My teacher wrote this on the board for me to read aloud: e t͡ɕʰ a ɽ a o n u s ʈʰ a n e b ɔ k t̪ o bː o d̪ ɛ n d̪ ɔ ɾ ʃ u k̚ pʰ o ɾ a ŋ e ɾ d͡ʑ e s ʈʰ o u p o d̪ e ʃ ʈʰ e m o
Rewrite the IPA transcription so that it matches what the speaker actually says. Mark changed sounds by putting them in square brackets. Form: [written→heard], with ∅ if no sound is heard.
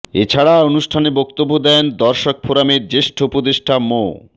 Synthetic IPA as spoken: e t͡ɕʰ a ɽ a o n u [s→ʃ] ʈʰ a n e b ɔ k t̪ o bː o d̪ ɛ n d̪ ɔ ɾ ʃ [u→o] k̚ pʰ o ɾ a [ŋ→m] e ɾ d͡ʑ e [s→ʃ] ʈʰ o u p o d̪ e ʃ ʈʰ [e→a] m o